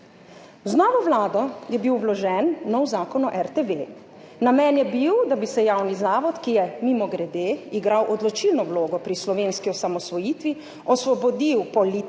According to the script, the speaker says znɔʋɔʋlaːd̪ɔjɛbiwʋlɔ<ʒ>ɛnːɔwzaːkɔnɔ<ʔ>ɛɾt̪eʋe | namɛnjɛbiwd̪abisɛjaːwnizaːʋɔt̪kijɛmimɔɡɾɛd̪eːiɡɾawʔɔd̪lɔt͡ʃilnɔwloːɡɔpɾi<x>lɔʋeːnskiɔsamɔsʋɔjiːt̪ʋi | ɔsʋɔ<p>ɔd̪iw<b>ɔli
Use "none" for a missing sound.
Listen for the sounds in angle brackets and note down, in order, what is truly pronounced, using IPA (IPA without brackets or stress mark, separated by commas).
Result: ʒ, ʔ, s, b, p